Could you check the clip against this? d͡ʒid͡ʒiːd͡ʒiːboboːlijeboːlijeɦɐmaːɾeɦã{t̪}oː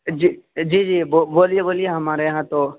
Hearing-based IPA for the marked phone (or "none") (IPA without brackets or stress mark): t̪